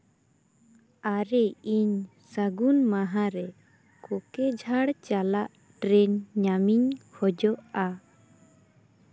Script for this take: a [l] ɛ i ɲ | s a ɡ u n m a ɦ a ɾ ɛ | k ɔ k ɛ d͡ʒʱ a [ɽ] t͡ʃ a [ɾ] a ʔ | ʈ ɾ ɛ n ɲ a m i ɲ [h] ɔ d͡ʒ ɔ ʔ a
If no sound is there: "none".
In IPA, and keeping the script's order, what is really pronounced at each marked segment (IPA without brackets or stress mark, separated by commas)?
ɾ, ɽ, l, h